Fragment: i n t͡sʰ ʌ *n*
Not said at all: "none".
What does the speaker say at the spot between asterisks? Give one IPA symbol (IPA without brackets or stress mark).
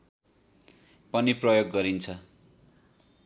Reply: none